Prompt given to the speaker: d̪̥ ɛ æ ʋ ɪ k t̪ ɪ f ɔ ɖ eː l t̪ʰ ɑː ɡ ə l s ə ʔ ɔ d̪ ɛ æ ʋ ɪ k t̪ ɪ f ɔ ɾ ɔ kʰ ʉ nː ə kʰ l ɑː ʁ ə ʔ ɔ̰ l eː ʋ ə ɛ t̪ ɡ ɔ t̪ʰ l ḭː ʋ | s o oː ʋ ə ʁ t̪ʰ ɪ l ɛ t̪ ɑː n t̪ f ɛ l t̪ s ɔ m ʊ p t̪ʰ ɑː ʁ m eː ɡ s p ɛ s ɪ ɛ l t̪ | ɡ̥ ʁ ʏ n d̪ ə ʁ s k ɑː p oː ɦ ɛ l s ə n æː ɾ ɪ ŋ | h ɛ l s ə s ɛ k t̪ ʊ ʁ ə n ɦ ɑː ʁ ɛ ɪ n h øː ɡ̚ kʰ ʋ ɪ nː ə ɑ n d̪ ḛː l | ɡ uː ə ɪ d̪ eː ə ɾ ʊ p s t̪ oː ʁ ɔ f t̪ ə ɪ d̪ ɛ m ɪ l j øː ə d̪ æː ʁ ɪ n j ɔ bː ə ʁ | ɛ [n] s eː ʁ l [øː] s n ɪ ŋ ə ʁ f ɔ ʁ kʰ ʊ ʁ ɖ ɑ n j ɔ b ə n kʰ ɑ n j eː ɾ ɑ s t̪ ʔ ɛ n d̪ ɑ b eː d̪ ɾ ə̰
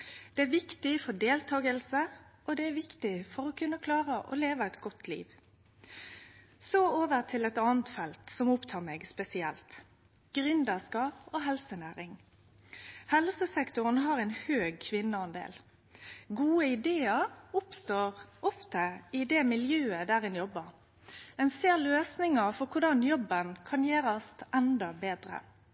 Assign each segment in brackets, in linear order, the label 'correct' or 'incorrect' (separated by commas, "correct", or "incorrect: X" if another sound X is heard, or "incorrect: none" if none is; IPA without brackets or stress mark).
correct, correct